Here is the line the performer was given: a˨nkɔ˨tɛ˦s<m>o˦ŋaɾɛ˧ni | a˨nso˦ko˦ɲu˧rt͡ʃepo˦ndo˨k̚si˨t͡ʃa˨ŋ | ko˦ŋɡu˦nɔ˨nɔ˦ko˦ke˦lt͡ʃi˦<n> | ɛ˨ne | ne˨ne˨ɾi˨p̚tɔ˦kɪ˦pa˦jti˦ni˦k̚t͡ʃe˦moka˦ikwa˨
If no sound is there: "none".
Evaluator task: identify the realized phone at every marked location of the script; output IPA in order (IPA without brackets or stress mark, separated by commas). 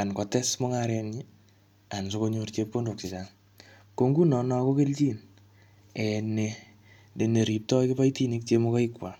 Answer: m, n